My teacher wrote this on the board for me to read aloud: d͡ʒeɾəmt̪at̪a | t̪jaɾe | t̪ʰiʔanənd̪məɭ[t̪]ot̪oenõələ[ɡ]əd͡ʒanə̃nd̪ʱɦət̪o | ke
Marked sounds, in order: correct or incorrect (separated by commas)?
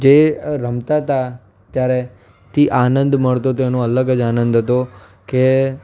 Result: correct, correct